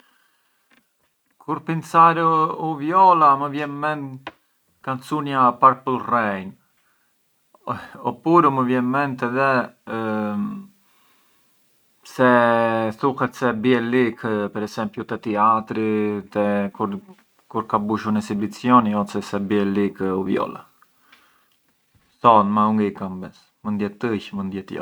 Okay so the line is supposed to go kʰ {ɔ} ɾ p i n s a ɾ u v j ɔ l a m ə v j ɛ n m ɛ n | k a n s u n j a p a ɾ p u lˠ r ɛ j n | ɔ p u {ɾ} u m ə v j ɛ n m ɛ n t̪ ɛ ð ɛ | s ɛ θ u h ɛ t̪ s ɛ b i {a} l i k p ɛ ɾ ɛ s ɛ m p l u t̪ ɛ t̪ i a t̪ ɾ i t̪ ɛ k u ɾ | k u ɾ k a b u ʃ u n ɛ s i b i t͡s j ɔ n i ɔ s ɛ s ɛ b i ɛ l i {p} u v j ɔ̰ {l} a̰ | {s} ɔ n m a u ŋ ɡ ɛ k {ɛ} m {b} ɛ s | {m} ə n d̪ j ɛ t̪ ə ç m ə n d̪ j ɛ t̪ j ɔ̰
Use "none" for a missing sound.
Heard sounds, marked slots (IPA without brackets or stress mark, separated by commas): u, ɾ, ɛ, k, l, θ, a, b, m